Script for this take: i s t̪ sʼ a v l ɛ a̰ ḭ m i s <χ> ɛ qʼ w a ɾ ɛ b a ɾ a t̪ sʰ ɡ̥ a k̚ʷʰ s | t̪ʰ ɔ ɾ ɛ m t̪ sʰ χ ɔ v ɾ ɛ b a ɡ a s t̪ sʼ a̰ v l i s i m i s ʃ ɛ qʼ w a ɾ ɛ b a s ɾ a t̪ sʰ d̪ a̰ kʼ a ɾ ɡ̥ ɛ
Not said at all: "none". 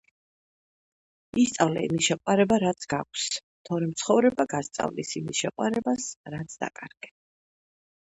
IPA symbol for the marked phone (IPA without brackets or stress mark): ʃ